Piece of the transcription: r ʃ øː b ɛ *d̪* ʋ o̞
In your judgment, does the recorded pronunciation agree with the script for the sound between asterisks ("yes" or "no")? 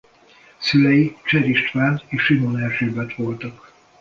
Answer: no